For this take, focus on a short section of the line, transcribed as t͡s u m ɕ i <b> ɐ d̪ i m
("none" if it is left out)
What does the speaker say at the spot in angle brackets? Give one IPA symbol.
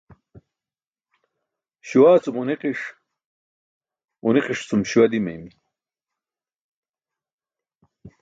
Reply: w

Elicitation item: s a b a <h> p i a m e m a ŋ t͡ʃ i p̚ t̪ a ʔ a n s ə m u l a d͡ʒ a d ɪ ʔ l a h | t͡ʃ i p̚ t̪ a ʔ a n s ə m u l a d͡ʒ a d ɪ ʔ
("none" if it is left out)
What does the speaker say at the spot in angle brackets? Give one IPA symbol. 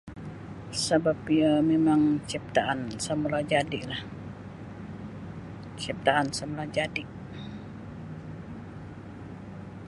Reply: none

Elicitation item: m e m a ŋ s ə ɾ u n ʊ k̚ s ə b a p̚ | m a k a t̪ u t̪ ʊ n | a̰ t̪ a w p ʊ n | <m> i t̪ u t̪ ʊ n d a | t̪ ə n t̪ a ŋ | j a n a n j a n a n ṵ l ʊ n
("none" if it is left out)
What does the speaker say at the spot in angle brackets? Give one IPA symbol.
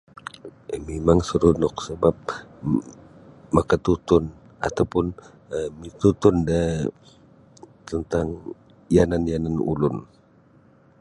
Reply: m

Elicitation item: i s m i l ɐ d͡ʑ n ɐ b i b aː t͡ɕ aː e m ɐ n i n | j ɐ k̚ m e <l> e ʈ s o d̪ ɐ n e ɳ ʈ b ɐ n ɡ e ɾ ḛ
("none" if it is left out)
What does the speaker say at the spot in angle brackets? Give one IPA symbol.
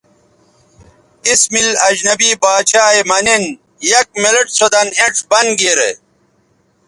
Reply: l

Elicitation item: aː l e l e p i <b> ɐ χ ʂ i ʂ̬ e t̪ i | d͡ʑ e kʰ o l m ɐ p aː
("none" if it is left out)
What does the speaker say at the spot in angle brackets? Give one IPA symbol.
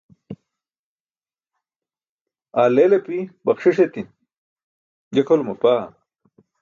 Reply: b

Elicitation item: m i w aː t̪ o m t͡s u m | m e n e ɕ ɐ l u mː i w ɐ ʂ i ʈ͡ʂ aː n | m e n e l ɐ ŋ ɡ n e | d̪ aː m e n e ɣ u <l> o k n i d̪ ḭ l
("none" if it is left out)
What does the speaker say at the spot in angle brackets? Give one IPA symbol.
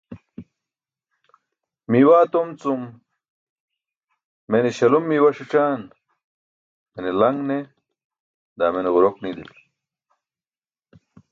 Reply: ɾ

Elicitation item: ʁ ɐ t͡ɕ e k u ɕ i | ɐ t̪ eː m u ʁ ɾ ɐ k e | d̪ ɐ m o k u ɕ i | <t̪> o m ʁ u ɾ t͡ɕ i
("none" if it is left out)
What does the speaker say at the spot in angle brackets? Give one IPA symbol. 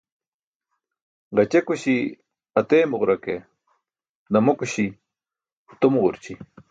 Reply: t̪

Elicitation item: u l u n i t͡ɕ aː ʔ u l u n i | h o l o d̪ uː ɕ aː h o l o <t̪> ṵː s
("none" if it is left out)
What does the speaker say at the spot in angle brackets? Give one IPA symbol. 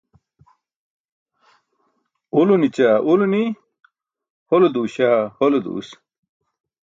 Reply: d̪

